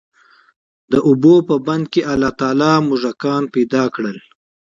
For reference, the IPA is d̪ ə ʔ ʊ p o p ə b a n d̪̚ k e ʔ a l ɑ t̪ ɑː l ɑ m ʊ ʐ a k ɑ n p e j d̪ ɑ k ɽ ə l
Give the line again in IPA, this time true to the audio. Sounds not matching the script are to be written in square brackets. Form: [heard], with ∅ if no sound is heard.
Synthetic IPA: d̪ ə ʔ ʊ [b] o p ə b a n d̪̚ k e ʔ a l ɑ t̪ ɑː l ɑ m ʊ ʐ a k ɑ n p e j d̪ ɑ k ɽ ə l